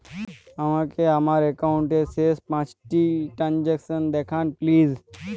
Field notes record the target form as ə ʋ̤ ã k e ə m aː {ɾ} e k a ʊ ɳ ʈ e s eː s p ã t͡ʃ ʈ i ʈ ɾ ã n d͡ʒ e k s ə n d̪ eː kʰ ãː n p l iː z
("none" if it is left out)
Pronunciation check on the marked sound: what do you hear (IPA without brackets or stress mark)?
ɾ